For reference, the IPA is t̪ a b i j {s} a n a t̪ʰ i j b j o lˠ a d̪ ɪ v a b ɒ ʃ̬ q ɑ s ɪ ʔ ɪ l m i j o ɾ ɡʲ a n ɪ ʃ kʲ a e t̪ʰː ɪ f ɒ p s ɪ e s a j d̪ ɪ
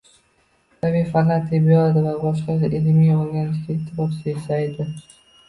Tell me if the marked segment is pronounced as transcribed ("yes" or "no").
no